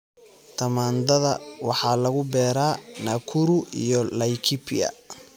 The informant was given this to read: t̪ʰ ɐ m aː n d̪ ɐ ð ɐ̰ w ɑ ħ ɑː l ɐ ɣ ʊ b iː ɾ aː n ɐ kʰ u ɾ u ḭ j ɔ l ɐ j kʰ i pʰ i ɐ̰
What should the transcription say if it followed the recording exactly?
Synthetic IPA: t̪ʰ ɐ m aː n d̪ ɐ ð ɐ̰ w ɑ ħ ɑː l ɐ ɣ ʊ b ɛː ɾ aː n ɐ kʰ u ɾ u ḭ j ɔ l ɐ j kʰ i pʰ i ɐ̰